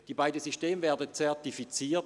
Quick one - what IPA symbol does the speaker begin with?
d̥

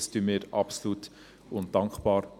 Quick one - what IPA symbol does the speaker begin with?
s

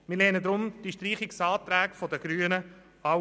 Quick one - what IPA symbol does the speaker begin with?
m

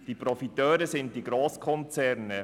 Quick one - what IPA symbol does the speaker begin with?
d̥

